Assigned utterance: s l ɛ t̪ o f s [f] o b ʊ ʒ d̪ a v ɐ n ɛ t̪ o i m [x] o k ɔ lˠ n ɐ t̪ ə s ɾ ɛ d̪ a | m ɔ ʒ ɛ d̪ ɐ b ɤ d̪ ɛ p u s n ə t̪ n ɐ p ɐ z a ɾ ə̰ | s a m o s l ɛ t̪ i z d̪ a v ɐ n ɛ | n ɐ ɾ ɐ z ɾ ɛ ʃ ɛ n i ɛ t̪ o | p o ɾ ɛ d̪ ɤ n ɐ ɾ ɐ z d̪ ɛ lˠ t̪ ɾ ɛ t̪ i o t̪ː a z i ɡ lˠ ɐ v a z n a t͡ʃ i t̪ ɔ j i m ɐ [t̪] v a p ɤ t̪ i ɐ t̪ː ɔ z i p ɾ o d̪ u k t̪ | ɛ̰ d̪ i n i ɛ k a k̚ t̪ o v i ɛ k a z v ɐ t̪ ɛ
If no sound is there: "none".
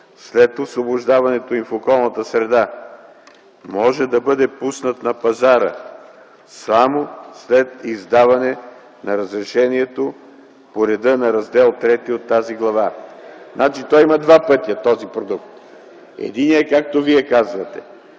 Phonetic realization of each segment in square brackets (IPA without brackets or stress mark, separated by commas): v, f, d̪